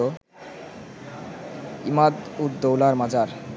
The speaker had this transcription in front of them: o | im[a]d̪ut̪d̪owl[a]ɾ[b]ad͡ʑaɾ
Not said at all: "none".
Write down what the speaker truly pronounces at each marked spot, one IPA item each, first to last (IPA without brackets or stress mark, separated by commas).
a, a, m